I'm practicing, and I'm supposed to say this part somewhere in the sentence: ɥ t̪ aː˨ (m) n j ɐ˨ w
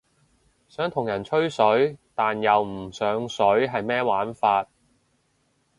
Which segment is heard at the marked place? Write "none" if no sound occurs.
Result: none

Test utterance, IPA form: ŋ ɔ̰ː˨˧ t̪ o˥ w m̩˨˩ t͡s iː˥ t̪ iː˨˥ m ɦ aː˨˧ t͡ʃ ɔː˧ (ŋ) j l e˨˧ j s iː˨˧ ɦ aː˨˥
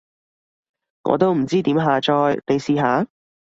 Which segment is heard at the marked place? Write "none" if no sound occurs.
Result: none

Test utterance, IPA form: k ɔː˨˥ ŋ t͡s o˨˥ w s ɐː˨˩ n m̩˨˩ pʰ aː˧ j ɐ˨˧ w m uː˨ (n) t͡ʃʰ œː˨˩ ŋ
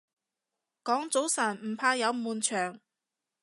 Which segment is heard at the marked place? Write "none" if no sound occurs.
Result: n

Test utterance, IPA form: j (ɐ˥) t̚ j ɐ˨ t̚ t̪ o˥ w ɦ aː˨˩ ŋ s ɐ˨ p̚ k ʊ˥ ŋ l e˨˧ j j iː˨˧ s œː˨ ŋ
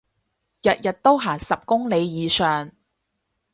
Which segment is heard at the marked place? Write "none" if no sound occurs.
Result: ɐ˨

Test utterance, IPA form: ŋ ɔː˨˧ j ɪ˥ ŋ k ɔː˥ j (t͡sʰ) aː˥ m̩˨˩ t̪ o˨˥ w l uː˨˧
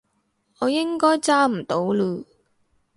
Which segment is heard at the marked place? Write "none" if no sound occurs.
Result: t͡s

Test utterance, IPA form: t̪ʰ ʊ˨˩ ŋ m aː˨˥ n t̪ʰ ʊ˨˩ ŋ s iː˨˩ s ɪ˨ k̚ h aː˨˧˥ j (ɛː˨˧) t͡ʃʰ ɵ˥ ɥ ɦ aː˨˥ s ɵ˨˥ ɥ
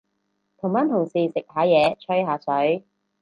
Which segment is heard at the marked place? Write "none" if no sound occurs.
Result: ɛː˨˧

